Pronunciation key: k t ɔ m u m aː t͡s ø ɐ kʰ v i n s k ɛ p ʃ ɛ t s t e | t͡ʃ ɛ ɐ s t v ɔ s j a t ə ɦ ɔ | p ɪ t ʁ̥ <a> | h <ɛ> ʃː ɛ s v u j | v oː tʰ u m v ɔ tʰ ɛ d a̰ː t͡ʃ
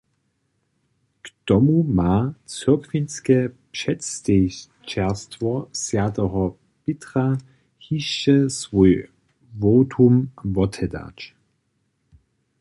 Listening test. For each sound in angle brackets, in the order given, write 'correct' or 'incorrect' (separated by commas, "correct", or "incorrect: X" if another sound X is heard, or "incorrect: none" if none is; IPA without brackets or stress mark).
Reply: correct, incorrect: i